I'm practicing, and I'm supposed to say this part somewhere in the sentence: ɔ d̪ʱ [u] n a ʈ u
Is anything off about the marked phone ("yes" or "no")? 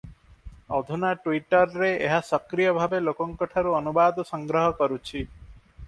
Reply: no